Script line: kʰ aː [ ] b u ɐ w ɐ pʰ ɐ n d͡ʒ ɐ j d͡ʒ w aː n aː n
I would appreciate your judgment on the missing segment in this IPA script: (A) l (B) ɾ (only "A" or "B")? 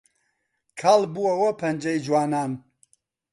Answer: A